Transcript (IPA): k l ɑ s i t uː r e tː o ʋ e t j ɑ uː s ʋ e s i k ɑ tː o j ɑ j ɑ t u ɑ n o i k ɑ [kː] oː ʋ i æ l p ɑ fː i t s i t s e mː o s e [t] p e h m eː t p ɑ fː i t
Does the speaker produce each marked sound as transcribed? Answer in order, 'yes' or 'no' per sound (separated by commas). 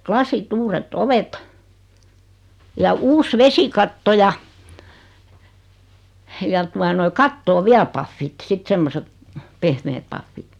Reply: no, yes